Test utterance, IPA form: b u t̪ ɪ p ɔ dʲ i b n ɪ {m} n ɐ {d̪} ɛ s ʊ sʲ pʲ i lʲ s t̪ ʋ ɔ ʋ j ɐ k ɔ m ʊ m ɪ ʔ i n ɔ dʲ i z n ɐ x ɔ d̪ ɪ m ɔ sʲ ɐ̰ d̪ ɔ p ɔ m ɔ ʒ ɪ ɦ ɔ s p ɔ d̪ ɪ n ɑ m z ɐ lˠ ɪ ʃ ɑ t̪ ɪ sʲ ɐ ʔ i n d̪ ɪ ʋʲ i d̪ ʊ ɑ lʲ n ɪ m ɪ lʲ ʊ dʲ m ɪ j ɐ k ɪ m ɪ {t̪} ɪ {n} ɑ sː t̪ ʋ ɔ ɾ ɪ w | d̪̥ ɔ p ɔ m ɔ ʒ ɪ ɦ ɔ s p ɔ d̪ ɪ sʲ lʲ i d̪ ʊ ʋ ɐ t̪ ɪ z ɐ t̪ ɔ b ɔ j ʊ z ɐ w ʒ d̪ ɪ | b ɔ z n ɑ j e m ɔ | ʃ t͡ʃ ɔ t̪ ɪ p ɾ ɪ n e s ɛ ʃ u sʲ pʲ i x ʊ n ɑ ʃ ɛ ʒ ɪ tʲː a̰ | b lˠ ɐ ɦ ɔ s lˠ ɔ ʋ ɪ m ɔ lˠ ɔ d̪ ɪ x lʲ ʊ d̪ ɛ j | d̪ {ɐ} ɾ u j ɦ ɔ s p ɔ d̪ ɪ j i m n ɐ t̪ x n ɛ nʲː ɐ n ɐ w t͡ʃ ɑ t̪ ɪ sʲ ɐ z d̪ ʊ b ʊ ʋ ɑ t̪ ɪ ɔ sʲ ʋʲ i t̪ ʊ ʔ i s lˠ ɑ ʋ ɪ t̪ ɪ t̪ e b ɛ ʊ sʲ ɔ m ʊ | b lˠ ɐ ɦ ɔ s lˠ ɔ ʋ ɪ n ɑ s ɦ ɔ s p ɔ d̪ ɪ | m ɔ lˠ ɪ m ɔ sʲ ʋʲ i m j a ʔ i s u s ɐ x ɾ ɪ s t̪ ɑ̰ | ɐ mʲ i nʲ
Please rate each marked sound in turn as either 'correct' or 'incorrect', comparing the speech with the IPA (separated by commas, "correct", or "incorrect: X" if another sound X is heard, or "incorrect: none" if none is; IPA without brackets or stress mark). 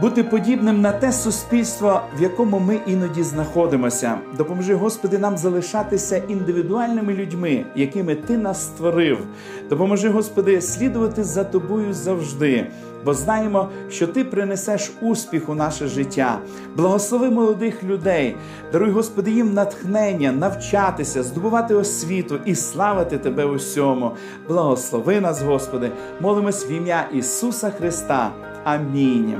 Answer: correct, incorrect: t̪, correct, correct, correct